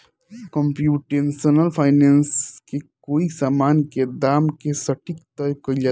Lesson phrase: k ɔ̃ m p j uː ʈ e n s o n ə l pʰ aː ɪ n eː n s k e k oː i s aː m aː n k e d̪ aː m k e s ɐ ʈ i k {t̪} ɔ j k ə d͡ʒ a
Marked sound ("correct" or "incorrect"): correct